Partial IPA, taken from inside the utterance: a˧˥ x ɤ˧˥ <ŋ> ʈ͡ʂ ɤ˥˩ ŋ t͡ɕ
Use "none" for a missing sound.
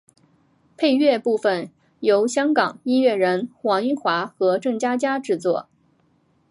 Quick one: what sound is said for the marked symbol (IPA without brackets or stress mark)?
none